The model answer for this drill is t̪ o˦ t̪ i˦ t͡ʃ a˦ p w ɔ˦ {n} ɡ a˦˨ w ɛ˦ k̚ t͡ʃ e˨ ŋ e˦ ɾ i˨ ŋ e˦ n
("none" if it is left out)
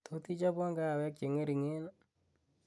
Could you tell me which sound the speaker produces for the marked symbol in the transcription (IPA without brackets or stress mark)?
ŋ